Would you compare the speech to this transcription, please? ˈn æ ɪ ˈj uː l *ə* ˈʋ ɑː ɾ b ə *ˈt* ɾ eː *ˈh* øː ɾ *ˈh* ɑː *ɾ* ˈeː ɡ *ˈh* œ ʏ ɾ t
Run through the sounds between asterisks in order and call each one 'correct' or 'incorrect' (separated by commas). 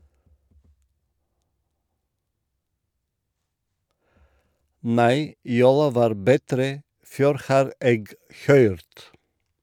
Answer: incorrect, correct, incorrect, correct, correct, correct